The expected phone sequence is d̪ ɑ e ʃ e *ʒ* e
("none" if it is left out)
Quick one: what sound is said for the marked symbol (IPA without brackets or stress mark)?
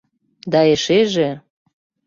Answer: ʒ